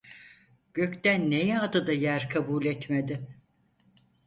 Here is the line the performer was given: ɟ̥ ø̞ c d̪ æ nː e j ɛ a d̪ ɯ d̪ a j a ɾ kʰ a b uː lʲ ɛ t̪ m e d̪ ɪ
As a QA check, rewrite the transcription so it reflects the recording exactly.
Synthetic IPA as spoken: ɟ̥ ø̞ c t̪ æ nː e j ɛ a d̪ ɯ d̪ a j æ ɾ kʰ a b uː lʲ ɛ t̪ m e d̪ ɪ